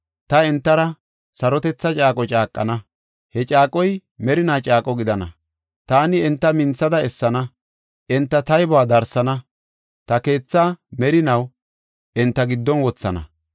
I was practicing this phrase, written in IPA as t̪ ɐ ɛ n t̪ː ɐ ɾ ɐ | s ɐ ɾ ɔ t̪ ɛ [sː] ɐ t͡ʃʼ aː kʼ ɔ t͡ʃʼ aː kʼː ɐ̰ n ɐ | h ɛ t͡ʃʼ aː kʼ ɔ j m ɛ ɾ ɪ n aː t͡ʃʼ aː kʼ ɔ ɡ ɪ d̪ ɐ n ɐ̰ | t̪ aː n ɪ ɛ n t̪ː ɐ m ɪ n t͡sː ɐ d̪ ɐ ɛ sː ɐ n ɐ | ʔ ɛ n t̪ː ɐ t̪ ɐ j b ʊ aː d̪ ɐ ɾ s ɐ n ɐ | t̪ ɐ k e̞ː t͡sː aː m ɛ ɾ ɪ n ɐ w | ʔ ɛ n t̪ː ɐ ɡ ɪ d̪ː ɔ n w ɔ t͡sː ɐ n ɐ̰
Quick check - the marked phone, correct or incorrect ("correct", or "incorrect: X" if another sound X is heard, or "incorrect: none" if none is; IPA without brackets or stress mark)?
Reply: incorrect: t͡sː